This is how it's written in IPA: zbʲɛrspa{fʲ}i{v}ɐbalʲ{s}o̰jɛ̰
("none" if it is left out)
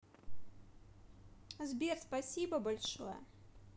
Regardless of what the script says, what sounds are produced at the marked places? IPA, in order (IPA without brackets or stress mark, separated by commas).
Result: sʲ, b, ʂ